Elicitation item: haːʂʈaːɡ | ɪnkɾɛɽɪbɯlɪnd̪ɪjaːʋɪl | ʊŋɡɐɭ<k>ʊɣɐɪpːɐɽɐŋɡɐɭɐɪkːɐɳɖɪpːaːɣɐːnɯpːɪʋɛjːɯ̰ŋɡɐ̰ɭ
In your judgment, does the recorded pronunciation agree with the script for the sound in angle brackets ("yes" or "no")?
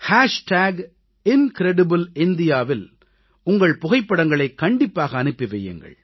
no